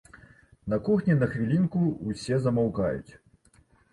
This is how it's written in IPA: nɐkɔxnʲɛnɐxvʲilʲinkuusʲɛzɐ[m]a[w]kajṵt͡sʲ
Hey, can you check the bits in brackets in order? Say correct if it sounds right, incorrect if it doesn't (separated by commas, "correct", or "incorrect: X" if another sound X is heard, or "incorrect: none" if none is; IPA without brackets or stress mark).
correct, correct